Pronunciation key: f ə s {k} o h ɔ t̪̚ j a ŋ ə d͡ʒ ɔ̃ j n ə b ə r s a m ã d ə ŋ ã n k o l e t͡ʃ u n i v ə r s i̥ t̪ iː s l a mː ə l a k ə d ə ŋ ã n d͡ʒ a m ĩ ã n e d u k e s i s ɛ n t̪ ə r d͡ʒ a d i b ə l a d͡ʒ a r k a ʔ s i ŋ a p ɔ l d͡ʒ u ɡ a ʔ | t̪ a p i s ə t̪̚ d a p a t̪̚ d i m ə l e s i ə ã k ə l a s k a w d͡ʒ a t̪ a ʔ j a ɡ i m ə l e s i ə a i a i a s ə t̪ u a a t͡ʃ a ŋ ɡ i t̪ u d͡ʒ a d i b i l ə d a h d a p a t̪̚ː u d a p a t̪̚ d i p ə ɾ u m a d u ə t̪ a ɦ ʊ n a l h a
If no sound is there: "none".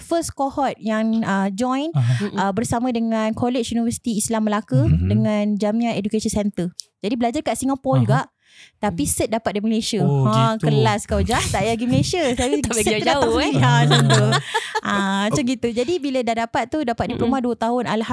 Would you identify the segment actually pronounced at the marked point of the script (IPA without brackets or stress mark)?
k